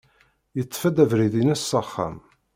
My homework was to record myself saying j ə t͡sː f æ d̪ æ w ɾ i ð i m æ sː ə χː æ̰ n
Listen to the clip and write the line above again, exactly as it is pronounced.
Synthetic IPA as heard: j ə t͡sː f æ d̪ æ v ɾ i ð i n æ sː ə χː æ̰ m